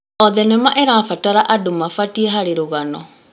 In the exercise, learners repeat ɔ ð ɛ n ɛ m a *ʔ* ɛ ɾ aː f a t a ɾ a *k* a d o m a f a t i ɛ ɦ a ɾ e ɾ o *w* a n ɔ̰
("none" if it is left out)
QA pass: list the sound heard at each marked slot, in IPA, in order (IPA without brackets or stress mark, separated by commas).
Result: ʔ, ʔ, ɣ